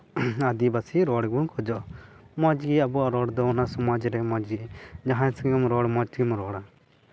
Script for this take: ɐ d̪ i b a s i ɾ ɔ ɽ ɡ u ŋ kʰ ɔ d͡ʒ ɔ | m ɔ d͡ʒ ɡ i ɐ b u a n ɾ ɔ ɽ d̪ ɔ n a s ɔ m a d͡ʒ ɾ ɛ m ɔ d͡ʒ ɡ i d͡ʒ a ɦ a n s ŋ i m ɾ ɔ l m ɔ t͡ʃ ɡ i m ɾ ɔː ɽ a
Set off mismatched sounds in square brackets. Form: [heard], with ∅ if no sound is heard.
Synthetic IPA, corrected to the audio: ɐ d̪ i b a s i ɾ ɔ ɽ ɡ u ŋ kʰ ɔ d͡ʒ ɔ | m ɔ d͡ʒ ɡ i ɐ b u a [∅] ɾ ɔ ɽ d̪ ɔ n a s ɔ m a d͡ʒ ɾ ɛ m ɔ d͡ʒ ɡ i d͡ʒ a ɦ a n s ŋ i m ɾ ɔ [ɽ] m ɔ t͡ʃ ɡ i m ɾ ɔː ɽ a